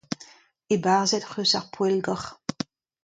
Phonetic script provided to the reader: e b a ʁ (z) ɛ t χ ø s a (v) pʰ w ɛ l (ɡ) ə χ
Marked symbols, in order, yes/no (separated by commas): yes, no, yes